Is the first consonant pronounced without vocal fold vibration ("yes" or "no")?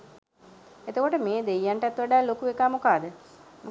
yes